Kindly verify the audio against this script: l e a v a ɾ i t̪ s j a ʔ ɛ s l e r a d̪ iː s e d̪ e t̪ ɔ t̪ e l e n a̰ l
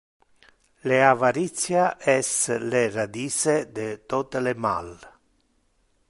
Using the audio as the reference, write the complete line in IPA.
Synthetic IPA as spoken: l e a v a ɾ i t̪ s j a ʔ ɛ s l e r a d̪ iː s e d̪ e t̪ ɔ t̪ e l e m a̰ l